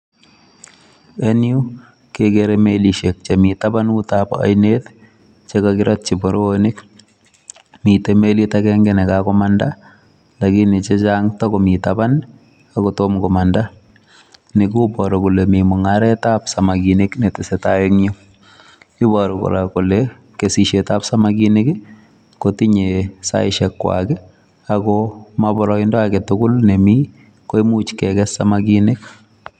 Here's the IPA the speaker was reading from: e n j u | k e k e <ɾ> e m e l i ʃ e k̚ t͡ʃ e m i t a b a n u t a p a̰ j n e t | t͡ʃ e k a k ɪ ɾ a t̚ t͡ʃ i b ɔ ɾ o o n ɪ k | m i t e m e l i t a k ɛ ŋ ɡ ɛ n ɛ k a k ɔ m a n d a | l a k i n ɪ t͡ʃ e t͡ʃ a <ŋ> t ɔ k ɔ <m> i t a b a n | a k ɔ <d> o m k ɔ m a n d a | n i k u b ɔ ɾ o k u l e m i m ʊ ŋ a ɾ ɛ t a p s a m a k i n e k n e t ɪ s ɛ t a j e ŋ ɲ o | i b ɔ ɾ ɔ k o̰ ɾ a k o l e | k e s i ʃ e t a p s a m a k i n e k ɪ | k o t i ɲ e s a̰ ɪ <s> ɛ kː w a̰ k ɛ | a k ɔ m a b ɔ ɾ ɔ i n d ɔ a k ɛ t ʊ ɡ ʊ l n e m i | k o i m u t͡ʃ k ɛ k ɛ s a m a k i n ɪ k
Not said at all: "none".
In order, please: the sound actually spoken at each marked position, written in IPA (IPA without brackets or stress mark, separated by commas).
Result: ɾ, ŋ, m, t, ʃ